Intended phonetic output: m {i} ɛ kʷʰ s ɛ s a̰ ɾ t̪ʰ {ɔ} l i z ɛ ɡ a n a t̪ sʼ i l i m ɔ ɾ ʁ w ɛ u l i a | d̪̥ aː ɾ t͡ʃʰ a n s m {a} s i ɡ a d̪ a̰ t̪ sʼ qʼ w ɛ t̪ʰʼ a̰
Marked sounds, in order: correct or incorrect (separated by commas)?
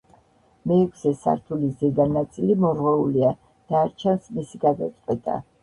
incorrect, incorrect, incorrect